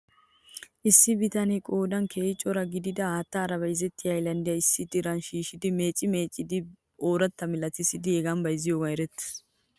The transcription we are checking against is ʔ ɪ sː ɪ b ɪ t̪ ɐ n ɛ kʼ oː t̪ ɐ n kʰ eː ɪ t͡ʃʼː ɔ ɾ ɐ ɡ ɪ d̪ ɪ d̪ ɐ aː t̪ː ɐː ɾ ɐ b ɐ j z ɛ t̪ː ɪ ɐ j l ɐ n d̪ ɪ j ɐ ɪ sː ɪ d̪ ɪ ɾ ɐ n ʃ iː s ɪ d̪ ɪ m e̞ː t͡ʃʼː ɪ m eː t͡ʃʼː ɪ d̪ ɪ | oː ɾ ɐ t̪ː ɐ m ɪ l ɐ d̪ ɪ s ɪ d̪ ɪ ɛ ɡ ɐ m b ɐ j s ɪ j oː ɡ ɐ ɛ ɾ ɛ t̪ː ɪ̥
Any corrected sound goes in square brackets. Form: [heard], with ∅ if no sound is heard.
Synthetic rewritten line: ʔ ɪ sː ɪ b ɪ t̪ ɐ n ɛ kʼ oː [d̪] ɐ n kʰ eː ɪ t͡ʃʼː ɔ ɾ ɐ ɡ ɪ d̪ ɪ d̪ ɐ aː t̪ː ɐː ɾ ɐ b ɐ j z ɛ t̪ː ɪ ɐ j l ɐ n d̪ ɪ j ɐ ɪ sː ɪ d̪ ɪ ɾ ɐ n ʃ iː [ʃ] ɪ d̪ ɪ m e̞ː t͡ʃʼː ɪ m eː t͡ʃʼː ɪ d̪ ɪ | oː ɾ ɐ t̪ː ɐ m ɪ l ɐ [t̪] ɪ s ɪ d̪ ɪ ɛ ɡ ɐ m b ɐ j [z] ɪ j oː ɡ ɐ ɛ ɾ ɛ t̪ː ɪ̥